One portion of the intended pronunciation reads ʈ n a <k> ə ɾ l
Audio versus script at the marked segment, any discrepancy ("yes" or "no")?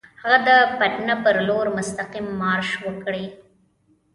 yes